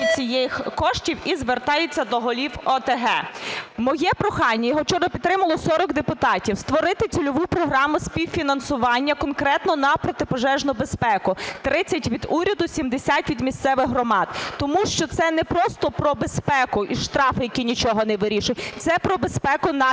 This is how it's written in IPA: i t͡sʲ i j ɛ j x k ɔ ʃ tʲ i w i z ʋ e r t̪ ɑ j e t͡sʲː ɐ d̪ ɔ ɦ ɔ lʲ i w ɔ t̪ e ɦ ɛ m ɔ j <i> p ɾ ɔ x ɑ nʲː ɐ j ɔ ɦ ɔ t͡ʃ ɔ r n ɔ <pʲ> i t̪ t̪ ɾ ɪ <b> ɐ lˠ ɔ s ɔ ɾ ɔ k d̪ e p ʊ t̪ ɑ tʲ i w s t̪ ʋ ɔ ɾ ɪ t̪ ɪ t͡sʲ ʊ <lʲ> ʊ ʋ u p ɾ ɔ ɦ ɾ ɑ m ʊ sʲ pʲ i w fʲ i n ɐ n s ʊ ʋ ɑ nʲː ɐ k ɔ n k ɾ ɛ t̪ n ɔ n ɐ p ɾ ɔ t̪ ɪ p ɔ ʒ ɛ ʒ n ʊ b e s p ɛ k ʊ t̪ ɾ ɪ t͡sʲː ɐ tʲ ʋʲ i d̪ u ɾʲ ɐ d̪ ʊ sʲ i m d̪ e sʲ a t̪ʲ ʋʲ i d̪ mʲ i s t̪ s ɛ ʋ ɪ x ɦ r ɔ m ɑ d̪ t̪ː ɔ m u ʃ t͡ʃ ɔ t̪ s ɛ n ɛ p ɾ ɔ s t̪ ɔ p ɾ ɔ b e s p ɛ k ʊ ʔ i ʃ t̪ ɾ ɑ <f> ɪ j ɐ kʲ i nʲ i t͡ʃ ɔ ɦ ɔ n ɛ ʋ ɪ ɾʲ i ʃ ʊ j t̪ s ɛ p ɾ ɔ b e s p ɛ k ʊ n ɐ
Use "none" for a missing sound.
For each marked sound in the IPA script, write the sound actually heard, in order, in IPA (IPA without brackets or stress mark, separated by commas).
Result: ɛ, pʲ, m, lʲ, f